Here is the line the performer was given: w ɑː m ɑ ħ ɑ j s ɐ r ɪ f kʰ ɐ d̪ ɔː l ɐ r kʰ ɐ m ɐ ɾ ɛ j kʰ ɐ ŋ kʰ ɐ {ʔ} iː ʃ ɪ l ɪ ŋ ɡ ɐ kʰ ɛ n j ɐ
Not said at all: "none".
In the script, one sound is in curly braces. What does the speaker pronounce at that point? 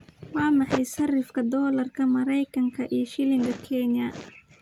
ʔ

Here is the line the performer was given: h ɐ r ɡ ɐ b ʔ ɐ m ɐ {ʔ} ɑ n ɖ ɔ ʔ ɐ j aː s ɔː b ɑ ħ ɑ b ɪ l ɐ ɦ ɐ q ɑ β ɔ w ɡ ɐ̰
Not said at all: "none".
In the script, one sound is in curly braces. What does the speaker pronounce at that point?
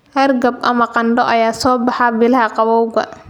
q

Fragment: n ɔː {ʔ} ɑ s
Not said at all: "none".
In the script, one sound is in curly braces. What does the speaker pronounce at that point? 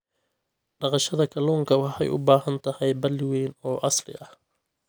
ʔ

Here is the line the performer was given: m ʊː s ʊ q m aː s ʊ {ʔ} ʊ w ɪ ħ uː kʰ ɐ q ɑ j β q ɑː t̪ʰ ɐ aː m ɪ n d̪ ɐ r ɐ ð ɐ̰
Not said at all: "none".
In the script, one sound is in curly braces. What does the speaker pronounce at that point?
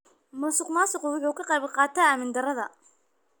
q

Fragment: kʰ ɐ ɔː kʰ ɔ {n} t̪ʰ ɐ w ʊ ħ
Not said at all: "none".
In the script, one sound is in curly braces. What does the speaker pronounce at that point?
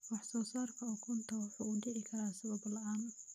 n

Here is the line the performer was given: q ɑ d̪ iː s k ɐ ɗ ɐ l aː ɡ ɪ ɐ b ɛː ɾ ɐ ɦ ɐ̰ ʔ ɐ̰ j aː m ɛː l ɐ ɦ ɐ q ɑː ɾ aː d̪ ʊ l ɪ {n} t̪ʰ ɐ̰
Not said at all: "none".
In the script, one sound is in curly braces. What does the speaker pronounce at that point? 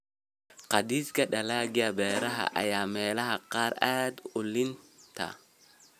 n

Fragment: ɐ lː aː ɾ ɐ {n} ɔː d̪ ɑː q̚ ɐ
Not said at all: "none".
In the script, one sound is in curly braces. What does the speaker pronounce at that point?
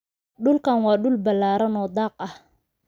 n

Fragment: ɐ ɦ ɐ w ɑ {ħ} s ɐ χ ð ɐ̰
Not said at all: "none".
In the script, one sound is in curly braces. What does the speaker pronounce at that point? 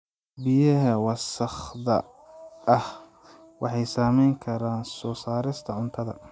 none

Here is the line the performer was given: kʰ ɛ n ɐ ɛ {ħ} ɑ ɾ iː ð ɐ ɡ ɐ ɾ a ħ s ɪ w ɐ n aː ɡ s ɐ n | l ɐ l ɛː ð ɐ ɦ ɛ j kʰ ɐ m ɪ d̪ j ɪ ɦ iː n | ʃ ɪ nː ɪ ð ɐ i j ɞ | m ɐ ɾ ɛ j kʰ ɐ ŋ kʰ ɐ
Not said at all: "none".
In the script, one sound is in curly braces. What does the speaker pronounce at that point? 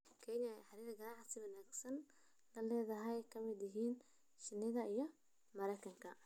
ħ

